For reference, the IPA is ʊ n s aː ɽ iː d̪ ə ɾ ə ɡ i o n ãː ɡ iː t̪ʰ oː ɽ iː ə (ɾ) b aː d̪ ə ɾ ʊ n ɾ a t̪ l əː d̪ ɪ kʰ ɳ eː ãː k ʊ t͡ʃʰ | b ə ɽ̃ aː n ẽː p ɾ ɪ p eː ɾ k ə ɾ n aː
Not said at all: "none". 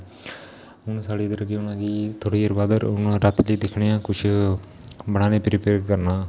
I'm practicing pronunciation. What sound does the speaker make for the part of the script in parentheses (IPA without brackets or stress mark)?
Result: ɾ